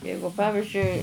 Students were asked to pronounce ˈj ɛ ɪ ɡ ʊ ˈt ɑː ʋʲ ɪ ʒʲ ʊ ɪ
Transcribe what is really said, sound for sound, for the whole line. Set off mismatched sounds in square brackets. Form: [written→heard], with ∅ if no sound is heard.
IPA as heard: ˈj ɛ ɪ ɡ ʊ [ˈt→ˈp] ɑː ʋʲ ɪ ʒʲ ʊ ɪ